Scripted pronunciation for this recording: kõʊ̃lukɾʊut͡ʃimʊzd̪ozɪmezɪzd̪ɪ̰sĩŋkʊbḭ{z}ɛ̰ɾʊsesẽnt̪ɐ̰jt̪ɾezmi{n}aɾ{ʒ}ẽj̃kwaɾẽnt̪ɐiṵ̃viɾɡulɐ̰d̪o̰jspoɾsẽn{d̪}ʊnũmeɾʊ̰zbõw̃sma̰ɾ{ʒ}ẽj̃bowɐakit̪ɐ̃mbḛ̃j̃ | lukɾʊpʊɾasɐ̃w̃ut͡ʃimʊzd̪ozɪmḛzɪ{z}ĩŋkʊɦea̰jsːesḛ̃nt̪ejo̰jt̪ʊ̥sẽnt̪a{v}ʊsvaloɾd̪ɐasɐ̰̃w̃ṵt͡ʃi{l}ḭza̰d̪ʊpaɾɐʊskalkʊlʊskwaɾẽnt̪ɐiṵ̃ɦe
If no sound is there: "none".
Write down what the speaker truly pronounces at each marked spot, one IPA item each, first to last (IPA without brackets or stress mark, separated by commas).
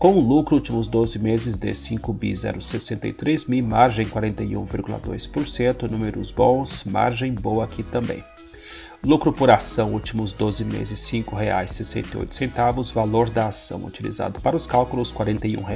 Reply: z, m, ʒ, t̪, ʒ, s, v, l